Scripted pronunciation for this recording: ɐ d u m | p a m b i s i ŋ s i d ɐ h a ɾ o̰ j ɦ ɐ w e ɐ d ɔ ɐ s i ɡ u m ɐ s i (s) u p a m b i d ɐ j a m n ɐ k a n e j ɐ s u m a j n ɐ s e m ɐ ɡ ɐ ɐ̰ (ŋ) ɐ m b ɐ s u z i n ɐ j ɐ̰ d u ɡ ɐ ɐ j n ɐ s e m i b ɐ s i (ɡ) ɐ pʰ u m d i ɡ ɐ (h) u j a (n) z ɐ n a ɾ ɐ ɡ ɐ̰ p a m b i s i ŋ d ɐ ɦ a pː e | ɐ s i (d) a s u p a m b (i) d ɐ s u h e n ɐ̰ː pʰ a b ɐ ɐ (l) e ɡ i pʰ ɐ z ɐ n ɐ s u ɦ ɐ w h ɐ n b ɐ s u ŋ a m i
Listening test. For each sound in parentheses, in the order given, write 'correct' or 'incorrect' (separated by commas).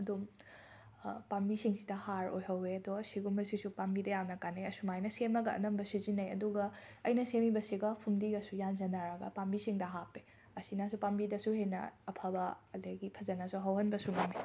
correct, incorrect, correct, incorrect, correct, incorrect, correct, correct